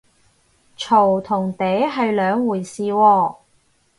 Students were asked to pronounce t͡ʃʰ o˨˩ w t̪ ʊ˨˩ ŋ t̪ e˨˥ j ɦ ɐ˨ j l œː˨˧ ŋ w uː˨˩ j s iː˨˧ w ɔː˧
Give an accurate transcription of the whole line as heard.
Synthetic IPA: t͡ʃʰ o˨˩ w t̪ʰ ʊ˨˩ ŋ t̪ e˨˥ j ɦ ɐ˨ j l œː˨˧ ŋ w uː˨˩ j s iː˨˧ w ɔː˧